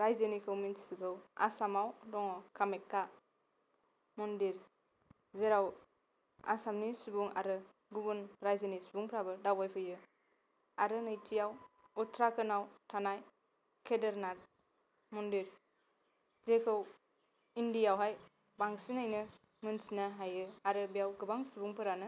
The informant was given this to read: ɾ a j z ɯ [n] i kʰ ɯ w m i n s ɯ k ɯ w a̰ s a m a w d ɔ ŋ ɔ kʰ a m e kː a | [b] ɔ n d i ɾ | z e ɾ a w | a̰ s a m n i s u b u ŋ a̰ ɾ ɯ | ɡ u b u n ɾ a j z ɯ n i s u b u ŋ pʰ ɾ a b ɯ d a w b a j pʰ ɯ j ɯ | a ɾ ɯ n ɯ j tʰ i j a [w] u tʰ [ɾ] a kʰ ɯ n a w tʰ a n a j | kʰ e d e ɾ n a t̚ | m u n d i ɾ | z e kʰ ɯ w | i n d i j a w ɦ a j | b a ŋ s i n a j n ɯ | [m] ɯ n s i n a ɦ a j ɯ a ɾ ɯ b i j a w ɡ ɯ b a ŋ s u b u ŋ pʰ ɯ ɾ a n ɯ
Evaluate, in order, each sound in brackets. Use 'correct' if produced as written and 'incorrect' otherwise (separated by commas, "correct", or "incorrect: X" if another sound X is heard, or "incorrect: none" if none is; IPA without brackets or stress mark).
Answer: correct, incorrect: m, correct, correct, correct